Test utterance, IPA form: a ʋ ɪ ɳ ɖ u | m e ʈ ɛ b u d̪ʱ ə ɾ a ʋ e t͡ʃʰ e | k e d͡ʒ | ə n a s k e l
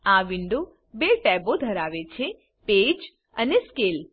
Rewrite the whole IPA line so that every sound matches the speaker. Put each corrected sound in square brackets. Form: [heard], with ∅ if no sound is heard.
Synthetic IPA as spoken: a ʋ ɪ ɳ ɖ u | [b] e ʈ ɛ b [o] d̪ʱ ə ɾ a ʋ e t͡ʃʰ e | [p] e d͡ʒ | ə n [e] s k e l